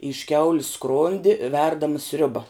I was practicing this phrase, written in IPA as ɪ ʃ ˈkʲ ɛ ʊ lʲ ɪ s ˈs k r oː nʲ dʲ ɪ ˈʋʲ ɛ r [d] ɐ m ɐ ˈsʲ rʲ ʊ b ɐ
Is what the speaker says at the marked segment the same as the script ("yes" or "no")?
yes